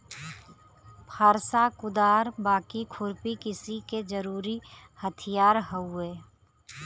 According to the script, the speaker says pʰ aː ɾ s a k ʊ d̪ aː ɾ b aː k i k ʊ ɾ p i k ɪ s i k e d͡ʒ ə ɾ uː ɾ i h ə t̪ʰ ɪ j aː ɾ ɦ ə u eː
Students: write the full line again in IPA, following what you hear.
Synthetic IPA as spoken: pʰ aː ɾ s a k ʊ d̪ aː ɾ b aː k i kʰ ʊ ɾ p i k ɪ s i k e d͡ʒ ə ɾ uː ɾ i h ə t̪ʰ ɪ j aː ɾ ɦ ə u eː